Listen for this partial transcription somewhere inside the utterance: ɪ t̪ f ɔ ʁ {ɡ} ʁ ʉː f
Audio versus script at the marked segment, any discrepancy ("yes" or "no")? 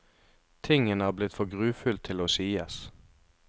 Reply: no